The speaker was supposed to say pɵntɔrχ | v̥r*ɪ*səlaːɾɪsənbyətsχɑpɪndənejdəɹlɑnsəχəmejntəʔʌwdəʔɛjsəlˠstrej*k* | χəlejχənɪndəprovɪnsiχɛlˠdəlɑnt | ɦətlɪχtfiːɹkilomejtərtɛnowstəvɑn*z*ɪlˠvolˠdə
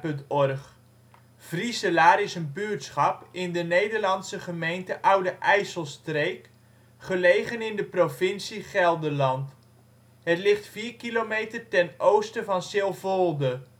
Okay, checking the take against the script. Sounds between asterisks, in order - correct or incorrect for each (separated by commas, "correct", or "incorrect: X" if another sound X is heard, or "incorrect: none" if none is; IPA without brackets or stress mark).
incorrect: i, correct, incorrect: s